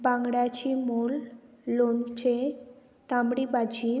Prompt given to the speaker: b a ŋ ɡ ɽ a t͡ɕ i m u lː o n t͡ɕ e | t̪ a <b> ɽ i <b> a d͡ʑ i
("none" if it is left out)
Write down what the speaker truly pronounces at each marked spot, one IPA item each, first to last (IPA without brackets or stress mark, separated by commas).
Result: m, b